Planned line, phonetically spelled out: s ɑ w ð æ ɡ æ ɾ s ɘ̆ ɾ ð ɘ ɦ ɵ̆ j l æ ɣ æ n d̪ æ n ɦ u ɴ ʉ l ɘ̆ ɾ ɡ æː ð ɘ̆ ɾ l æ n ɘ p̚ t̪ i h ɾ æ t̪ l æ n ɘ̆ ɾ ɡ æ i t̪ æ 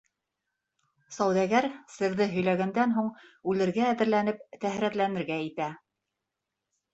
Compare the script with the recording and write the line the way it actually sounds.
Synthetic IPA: s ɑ w ð æ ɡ æ ɾ s ɘ̆ ɾ ð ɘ ɦ ɵ̆ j l æ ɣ æ n d̪ æ n ɦ u ɴ ʉ l ɘ̆ ɾ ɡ æː ð ɘ̆ ɾ l æ n ɘ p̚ t̪ æ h ɾ æ t̪ l æ n ɘ̆ ɾ ɡ æ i t̪ æ